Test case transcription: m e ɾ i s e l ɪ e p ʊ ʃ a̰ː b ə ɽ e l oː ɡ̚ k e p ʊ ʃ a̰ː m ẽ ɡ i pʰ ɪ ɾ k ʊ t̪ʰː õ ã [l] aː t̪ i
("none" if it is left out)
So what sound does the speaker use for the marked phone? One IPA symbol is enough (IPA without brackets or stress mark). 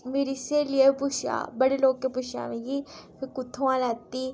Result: l